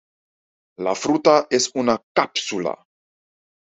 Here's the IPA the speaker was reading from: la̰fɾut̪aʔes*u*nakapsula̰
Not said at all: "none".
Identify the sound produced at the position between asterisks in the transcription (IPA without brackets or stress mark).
u